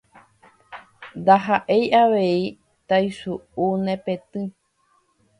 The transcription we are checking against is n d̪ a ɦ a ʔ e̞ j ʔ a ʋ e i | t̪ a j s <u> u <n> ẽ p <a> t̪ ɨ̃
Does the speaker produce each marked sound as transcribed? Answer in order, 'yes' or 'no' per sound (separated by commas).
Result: yes, yes, no